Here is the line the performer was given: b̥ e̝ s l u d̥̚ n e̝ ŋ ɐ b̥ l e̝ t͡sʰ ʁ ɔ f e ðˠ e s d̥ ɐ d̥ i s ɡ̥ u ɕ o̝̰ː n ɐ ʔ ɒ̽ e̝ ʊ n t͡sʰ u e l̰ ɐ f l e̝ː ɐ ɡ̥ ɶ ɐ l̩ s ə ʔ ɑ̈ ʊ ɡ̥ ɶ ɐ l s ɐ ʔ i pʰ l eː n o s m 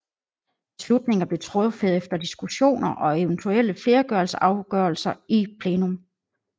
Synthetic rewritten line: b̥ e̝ s l u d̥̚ n e̝ ŋ ɐ b̥ l e̝ t͡sʰ ʁ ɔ f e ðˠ e f d̥ ɐ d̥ i s ɡ̥ u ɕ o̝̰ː n ɐ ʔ ɒ̽ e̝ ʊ n t͡sʰ u e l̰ ə f l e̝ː ɐ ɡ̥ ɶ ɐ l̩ s ə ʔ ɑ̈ ʊ ɡ̥ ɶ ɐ l s ɐ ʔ i pʰ l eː n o m